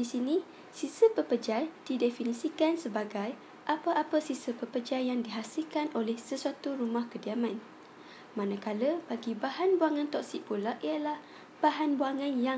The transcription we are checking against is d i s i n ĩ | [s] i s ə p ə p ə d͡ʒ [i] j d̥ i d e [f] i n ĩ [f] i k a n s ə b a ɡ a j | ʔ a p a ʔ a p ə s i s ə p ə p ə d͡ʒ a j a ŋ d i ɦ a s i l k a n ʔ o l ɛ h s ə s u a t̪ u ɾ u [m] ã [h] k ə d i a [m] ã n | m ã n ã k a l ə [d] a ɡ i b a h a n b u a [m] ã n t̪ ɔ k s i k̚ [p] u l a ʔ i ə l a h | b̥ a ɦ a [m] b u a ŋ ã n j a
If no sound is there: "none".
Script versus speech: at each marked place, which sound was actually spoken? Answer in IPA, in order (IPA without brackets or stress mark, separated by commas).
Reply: s, a, f, s, m, h, m, b, ŋ, p, n